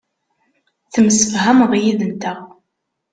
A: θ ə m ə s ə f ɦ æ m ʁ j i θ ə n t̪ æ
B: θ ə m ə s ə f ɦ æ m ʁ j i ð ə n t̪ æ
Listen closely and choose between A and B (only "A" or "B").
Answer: B